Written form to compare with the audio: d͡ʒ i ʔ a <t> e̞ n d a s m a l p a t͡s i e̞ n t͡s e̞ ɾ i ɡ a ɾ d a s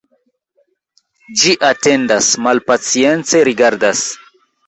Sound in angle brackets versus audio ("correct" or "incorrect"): correct